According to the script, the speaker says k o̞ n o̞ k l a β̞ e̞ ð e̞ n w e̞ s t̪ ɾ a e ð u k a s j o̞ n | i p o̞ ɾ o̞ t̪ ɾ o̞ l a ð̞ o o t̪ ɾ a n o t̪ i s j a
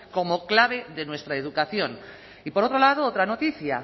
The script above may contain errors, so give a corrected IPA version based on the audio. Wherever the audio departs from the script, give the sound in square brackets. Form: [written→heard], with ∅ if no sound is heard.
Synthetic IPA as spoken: k o̞ [n→m] o̞ k l a β̞ e̞ ð e̞ n w e̞ s t̪ ɾ a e ð u k a [s→θ] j o̞ n | i p o̞ ɾ o̞ t̪ ɾ o̞ l a ð̞ o o t̪ ɾ a n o t̪ i [s→θ] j a